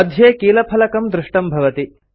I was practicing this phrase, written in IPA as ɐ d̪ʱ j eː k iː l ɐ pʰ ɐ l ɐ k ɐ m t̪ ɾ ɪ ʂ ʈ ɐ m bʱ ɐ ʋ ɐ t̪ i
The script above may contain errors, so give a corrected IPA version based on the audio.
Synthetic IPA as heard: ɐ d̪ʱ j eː k iː l ɐ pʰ ɐ l ɐ k ɐ m d̪ ɾ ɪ ʂ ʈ ɐ m bʱ ɐ ʋ ɐ t̪ i